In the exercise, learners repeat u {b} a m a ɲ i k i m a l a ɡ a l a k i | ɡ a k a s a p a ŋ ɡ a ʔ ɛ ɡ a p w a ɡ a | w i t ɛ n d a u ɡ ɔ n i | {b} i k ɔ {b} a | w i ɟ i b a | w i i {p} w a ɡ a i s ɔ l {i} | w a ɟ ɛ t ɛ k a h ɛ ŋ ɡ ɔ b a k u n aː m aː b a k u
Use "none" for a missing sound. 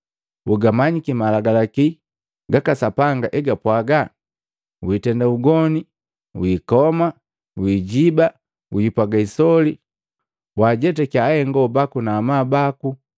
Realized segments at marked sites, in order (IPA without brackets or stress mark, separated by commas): ɡ, w, m, p, i